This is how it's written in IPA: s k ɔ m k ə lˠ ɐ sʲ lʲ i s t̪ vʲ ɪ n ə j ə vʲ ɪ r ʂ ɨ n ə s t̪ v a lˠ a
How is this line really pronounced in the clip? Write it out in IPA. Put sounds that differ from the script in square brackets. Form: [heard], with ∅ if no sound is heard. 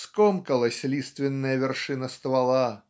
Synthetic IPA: s k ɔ m k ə lˠ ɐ sʲ lʲ i s t̪ vʲ ɪ [nː] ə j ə vʲ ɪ r ʂ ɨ n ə s t̪ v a lˠ a